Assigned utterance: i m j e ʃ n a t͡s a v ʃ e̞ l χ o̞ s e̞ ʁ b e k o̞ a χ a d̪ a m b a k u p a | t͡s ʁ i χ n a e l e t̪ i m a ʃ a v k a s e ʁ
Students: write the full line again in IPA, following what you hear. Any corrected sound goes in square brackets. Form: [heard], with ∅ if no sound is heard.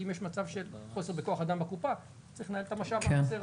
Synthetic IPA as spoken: i m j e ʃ [m] a t͡s a v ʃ e̞ l χ o̞ s e̞ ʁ b e k o̞ a χ a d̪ a m b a k u p a | t͡s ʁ i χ n a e l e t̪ [a] m a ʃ a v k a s e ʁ